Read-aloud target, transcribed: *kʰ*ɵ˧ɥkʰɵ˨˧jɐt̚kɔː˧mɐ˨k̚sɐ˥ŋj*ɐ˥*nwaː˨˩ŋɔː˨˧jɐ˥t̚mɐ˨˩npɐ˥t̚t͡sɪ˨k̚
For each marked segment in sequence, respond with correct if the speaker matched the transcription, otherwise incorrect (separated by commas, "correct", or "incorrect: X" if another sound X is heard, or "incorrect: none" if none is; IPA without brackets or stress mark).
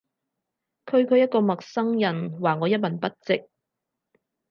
correct, incorrect: ɐ˨˩